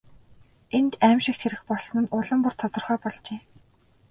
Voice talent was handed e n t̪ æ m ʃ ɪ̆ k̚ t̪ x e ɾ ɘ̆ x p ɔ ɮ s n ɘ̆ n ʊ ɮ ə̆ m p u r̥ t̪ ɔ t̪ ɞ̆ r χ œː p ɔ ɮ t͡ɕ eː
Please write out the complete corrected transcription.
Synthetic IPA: e n t̪ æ m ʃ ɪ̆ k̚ t̪ x e ɾ ɘ̆ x p ɔ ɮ s n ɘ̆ n ʊ ɮ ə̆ m p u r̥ t̪ʰ ɔ t̪ ɞ̆ r χ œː p ɔ ɮ t͡ɕ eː